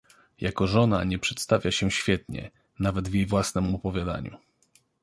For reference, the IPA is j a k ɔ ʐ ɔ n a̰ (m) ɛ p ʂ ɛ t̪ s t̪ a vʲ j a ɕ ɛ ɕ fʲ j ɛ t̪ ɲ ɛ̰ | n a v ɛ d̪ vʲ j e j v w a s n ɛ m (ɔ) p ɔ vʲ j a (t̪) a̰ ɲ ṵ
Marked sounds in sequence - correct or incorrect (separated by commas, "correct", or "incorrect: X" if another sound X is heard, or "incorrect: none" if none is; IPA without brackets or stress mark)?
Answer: incorrect: ɲ, correct, incorrect: d̪